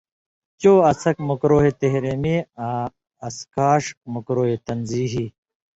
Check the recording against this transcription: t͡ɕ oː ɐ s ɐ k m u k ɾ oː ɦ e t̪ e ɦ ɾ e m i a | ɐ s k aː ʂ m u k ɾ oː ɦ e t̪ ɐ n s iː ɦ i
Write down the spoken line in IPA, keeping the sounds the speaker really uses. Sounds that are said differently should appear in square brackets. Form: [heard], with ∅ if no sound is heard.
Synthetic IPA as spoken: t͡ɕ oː ɐ s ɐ k m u k ɾ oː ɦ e t̪ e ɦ ɾ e m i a | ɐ s k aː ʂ m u k ɾ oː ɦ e t̪ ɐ n [z] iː ɦ i